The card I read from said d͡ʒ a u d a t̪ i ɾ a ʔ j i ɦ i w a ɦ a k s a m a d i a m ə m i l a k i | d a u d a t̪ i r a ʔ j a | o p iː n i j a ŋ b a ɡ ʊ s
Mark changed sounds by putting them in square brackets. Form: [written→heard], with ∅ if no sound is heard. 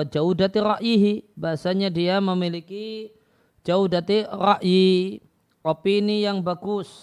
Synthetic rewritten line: d͡ʒ a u d a t̪ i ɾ a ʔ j i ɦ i [w→b] a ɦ a [k→∅] s a [m→ɲ] a d i a m ə m i l [a→i] k i | [d→d͡ʒ] a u d a t̪ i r a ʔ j [a→i] | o p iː n i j a ŋ b a ɡ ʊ s